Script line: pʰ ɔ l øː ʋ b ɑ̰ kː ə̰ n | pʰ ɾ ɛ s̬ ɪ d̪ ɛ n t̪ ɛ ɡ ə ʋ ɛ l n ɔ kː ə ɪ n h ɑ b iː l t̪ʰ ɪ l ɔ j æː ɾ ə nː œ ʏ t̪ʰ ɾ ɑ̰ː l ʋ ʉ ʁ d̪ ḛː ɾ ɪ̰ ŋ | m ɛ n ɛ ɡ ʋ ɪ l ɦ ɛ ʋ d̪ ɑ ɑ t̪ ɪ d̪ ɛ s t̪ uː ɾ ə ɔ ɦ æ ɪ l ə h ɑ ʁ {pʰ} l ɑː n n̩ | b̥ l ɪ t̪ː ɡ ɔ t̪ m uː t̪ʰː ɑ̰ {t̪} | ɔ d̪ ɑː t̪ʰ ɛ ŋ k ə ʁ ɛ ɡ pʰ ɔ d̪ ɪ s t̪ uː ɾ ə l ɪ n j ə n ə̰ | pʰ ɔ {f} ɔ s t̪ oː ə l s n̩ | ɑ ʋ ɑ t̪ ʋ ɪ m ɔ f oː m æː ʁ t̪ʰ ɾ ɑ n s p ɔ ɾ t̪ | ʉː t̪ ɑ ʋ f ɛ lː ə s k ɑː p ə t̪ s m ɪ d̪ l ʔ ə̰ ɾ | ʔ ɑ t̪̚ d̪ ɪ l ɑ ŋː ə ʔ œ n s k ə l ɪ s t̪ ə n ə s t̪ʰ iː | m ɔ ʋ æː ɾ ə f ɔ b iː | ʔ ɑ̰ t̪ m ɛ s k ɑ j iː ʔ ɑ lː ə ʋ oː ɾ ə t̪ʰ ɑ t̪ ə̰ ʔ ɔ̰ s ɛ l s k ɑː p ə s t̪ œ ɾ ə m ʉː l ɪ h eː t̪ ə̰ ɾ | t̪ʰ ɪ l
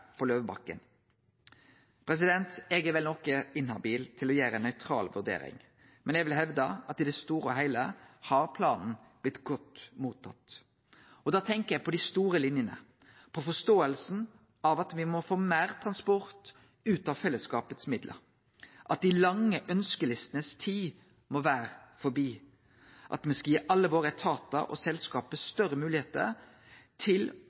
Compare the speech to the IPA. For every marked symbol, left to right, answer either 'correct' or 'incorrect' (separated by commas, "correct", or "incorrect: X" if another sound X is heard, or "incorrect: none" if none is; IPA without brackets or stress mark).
correct, correct, correct